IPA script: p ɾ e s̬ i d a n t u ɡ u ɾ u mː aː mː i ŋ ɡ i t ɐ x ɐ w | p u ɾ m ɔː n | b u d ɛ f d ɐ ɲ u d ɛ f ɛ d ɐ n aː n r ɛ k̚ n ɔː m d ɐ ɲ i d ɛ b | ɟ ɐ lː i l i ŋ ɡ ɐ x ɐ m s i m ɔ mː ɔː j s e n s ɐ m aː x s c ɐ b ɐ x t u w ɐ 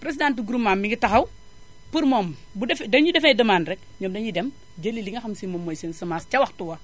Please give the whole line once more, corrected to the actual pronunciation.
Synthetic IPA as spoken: p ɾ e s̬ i d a n t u ɡ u ɾ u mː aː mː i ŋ ɡ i t ɐ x ɐ w | p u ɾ m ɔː m | b u d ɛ f d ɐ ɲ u d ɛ f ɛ d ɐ m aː n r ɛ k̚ ɲ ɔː m d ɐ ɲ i d ɛ m | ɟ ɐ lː i l i ŋ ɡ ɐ x ɐ m s i m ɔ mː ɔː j s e n s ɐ m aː s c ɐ w ɐ x t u w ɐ